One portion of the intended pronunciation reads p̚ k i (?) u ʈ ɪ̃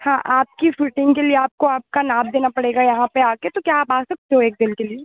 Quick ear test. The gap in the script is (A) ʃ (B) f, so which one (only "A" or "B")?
B